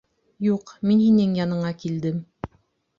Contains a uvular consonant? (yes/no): yes